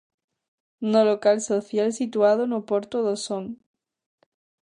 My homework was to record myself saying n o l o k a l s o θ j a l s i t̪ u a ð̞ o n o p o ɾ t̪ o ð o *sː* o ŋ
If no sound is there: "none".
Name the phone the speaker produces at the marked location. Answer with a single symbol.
s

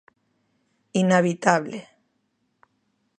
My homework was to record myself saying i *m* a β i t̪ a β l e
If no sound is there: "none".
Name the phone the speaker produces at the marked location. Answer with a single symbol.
n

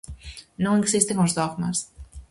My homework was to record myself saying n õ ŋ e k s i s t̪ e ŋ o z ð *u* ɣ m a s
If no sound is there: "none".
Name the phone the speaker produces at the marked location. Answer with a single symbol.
o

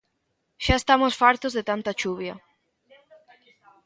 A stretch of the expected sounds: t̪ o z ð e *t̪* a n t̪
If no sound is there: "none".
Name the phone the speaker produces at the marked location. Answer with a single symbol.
t̪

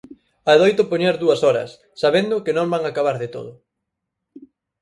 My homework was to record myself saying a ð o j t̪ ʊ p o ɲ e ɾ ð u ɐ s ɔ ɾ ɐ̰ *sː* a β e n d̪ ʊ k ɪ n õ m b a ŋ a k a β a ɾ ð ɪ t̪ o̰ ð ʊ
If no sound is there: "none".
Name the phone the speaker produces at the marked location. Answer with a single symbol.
sː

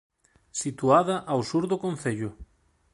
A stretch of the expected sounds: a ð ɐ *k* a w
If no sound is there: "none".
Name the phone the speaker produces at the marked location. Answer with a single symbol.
ʔ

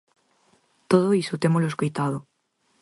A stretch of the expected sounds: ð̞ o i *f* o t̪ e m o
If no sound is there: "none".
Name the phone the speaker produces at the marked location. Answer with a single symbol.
s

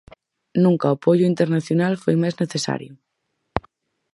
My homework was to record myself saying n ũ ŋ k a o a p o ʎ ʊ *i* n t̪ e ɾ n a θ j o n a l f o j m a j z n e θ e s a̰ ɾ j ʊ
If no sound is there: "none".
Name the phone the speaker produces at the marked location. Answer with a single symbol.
i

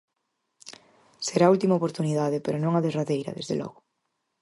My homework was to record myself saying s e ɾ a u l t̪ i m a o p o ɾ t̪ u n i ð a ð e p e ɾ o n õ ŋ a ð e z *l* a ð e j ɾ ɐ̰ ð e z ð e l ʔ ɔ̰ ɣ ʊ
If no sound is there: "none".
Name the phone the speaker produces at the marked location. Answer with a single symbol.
r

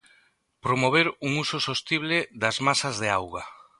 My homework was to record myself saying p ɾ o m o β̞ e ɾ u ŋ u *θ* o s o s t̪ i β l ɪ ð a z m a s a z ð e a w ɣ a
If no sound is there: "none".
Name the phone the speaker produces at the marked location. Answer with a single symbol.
s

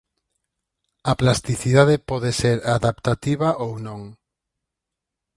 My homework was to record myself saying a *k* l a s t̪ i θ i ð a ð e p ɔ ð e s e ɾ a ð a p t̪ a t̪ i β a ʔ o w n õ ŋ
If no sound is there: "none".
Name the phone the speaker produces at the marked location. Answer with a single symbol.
p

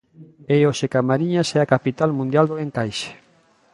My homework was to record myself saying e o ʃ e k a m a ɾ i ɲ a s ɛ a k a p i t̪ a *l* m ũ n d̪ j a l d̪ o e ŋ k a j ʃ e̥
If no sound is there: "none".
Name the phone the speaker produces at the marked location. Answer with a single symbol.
l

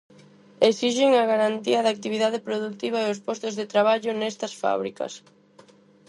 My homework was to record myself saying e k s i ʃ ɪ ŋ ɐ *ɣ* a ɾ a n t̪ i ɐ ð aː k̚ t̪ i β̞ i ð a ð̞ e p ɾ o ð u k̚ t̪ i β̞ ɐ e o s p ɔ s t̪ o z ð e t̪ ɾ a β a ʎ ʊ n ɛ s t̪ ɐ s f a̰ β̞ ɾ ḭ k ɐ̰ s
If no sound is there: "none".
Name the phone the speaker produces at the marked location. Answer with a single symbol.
ɣ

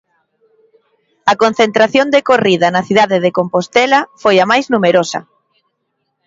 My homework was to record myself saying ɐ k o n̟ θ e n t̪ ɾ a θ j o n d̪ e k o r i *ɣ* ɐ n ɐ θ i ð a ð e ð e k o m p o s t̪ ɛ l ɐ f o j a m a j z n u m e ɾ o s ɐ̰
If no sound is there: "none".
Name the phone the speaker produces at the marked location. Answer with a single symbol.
ð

